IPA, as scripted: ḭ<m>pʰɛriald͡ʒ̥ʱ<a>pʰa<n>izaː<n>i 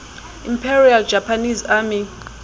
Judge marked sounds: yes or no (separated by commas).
yes, yes, yes, no